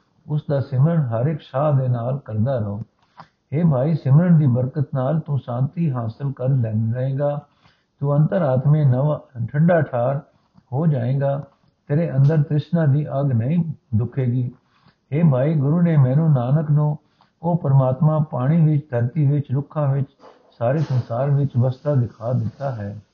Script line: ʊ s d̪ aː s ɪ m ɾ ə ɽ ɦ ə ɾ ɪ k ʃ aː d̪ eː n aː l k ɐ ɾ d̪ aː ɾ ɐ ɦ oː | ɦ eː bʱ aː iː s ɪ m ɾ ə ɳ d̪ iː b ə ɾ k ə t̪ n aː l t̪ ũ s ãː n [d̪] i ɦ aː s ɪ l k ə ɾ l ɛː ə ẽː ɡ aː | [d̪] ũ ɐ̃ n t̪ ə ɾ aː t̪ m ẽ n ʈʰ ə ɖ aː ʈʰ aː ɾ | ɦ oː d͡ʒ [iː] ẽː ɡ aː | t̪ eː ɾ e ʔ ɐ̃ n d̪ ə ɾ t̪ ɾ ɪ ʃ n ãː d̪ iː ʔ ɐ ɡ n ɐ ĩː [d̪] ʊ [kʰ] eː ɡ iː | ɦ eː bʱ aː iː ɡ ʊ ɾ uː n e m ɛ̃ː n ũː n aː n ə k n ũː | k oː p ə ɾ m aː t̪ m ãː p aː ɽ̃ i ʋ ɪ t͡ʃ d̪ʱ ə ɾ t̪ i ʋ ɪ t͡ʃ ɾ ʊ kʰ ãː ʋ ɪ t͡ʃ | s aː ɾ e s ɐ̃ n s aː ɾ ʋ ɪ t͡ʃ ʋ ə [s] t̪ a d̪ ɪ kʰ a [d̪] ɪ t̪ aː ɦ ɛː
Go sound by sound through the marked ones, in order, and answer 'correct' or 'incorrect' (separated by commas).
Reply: incorrect, incorrect, incorrect, correct, correct, correct, correct